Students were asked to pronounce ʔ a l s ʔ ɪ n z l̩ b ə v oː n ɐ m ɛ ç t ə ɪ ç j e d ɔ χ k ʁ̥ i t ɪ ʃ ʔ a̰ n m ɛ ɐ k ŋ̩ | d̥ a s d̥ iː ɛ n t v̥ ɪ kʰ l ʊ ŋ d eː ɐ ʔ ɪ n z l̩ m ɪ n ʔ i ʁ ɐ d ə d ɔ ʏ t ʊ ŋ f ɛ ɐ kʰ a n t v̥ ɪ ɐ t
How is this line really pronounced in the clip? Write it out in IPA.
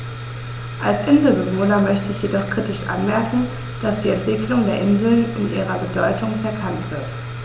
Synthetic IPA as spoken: ʔ a l s ʔ ɪ n z l̩ b ə v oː n ɐ m œ ç t ə ɪ ç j e d ɔ χ k ʁ̥ i t ɪ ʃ ʔ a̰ n m ɛ ɐ k ŋ̩ | d̥ a s d̥ iː ɛ n t v̥ ɪ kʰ l ʊ ŋ d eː ɐ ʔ ɪ n z l̩ n ɪ n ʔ iː ʁ ɐ b ə d ɔ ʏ t ʊ ŋ f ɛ ɐ kʰ a n t v̥ ɪ ɐ t